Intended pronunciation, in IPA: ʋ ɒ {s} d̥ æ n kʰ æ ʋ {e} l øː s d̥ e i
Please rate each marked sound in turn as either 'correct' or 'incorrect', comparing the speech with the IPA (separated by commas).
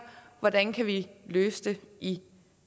incorrect, incorrect